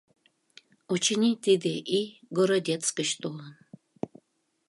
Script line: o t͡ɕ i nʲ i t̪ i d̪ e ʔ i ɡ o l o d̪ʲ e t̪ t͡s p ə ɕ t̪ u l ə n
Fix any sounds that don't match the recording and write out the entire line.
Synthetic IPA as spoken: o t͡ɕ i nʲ i t̪ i d̪ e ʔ i ɡ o ɾ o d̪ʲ e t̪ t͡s k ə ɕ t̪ o l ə n

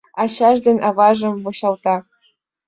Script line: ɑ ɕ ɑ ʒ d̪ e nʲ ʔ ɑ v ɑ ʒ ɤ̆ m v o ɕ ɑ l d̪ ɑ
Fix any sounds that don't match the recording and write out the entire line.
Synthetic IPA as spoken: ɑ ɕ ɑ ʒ d̪ e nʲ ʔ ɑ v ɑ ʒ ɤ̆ m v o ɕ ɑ l t̪ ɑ

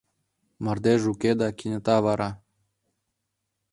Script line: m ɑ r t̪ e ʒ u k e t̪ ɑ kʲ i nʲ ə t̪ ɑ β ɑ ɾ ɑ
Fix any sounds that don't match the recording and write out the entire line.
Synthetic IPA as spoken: m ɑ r d̪ e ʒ u k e d̪ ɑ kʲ i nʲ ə t̪ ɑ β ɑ ɾ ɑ

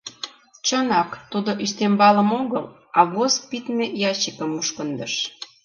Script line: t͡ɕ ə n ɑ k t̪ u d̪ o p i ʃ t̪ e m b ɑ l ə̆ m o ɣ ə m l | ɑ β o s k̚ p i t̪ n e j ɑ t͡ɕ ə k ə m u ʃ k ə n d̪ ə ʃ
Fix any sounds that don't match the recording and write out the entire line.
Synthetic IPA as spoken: t͡ɕ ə n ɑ k t̪ u d̪ o ʔ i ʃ t̪ e m b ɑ l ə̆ m o ɣ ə l | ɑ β o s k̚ p i t̪ m e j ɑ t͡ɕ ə k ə m u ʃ k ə n d̪ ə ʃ

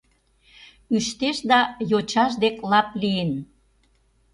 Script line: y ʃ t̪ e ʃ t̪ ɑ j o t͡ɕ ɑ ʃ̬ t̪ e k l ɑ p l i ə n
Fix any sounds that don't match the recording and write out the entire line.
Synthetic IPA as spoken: y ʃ t̪ e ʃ d̪ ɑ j o t͡ɕ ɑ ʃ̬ d̪ e k l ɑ p l i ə n

